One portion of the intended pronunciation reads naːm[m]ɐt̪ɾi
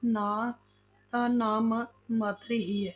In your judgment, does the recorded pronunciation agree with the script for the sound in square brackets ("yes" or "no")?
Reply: yes